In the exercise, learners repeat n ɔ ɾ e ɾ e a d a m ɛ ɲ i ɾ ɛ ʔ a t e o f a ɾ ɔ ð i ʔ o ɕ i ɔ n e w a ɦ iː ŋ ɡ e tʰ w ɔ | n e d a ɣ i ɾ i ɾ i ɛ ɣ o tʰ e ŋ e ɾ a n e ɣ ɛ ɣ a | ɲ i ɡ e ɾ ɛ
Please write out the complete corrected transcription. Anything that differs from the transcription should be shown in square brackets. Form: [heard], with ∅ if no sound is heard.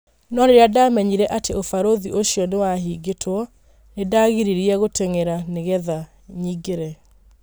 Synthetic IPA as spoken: n ɔ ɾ e ɾ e a d a m ɛ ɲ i ɾ ɛ ʔ a t e o f a ɾ [o] ð i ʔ o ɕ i ɔ n e w a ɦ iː [∅] ɡ e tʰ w ɔ | n e d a ɣ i ɾ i ɾ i ɛ ɣ o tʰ e ŋ e ɾ a n e ɣ ɛ [ð] a | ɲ i ɡ e ɾ ɛ